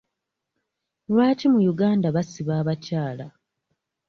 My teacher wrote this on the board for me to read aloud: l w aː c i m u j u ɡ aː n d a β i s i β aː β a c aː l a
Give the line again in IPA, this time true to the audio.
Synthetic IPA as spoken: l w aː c i m u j u ɡ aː n d a β a s i β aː β a c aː l a